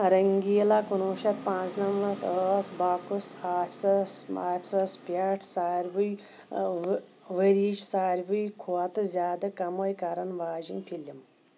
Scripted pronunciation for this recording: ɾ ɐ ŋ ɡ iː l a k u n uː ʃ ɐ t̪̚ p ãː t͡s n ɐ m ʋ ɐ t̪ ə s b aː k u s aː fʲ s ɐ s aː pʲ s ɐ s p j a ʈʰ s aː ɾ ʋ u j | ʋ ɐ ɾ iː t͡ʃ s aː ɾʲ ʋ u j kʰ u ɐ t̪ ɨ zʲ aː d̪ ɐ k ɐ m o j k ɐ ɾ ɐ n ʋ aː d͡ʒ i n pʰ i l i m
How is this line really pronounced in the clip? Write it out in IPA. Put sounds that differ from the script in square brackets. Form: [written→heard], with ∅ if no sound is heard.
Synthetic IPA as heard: ɾ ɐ ŋ ɡ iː l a k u n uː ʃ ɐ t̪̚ p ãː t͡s n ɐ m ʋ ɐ t̪ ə s b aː k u s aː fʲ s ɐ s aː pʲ s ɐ s p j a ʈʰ s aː ɾ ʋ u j | ʋ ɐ ɾ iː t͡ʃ s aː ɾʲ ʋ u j kʰ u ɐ t̪ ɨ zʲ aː d̪ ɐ k ɐ m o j k ɐ ɾ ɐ n ʋ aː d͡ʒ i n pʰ i l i m